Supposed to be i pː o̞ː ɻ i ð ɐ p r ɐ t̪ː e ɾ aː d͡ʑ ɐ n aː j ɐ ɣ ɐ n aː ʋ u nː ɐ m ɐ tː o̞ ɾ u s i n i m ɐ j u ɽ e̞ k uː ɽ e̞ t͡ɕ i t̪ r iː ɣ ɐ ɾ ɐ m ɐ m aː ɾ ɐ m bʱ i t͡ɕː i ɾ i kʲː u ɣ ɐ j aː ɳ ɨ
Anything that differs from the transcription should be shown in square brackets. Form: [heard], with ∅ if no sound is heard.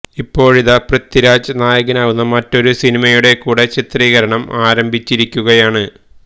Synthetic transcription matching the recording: i pː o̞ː ɻ i ð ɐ p r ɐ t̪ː [i] ɾ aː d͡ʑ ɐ n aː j ɐ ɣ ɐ n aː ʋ u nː ɐ m ɐ tː o̞ ɾ u s i n i m ɐ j u ɽ e̞ k uː ɽ e̞ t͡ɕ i t̪ r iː ɣ ɐ ɾ ɐ [ɳ] ɐ m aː ɾ ɐ m bʱ i t͡ɕː i ɾ i kʲː u ɣ ɐ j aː ɳ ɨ